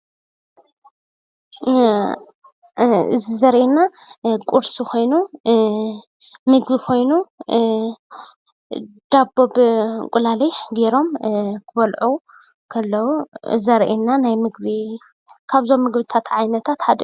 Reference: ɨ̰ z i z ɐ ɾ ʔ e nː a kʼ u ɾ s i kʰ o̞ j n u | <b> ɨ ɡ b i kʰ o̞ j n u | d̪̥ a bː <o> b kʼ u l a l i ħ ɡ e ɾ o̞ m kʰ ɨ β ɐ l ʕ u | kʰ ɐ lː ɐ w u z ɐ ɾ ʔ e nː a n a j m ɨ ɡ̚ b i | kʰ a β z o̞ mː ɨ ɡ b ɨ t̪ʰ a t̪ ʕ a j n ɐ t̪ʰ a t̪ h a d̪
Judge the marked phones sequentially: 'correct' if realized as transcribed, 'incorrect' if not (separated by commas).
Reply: incorrect, correct